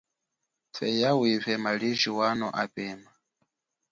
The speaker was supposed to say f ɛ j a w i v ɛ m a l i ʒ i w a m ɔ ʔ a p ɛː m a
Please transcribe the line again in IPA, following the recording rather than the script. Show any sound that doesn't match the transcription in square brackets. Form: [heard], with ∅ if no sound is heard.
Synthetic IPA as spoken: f ɛ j a w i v ɛ m a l i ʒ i w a [n] ɔ ʔ a p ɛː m a